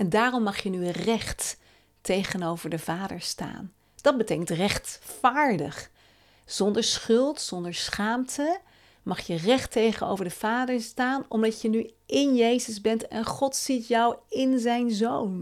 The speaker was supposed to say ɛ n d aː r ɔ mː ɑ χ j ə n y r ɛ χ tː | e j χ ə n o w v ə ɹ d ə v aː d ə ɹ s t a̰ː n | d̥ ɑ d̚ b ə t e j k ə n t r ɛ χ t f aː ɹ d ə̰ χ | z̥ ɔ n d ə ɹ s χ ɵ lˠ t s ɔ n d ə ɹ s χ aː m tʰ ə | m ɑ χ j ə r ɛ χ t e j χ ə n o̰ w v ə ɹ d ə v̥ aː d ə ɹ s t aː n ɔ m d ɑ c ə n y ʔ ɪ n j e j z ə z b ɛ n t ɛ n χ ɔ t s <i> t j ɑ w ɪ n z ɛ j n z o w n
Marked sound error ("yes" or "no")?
no